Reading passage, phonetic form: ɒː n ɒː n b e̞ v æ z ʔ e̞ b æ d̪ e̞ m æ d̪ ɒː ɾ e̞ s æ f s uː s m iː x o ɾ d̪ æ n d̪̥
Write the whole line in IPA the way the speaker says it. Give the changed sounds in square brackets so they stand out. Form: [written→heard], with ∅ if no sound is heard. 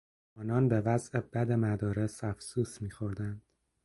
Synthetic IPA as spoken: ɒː n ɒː n b e̞ v æ z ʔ e̞ b æ d̪ e̞ m æ d̪ ɒː ɾ e̞ s æ f s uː s m iː x o ɾ d̪ æ n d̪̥